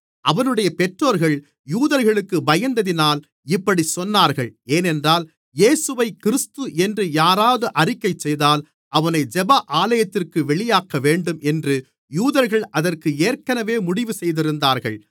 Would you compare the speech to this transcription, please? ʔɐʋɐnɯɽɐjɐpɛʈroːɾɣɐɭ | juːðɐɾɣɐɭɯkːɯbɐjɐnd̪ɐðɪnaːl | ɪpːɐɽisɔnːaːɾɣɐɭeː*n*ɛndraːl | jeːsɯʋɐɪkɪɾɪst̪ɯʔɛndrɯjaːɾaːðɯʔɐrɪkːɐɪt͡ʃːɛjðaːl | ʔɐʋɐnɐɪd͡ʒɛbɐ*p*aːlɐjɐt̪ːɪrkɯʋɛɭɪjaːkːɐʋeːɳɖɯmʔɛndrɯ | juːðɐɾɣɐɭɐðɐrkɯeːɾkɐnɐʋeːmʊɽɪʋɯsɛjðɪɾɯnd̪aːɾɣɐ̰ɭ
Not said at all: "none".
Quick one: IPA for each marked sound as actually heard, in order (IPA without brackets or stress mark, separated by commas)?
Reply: n, ʔ